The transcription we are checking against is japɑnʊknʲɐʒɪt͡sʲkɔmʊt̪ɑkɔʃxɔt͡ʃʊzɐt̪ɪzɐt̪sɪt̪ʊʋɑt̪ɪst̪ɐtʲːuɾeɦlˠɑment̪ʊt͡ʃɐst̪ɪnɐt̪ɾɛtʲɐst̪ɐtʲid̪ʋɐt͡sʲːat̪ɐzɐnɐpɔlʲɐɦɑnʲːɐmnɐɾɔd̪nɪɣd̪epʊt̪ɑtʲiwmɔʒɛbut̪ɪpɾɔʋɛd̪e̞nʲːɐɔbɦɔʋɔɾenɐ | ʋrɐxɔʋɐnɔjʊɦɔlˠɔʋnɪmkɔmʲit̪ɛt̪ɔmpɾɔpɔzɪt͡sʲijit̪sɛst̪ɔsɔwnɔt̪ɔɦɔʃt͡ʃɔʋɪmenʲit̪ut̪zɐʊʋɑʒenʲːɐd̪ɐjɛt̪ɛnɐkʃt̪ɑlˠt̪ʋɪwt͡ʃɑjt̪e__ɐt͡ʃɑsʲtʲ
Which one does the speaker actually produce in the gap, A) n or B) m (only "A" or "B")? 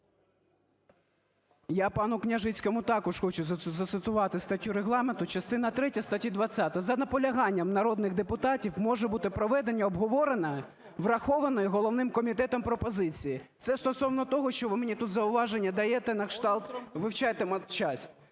B